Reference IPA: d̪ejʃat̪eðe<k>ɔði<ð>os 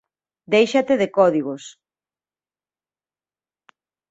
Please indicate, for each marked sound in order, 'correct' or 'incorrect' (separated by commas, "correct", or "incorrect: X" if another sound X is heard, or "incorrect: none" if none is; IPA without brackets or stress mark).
correct, incorrect: ɣ